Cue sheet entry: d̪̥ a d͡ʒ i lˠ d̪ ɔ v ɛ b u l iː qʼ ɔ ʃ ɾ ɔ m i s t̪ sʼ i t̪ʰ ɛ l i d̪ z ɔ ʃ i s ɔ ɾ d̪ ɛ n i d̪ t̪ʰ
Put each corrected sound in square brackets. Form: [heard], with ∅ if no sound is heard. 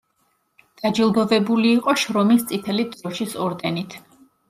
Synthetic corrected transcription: d̪̥ a d͡ʒ i lˠ d̪ ɔ v ɛ b u l iː qʼ ɔ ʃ ɾ ɔ m i s t̪ sʼ i t̪ʰ ɛ l i d̪ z ɔ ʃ i s ɔ ɾ d̪ ɛ n i [∅] t̪ʰ